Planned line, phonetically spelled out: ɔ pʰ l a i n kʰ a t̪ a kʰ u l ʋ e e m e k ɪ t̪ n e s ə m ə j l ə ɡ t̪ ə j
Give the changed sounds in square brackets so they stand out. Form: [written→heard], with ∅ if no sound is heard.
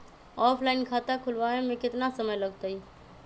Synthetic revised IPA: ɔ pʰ l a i n kʰ a t̪ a kʰ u l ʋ [e→a] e m e k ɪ t̪ n [e→a] s ə m ə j l ə ɡ t̪ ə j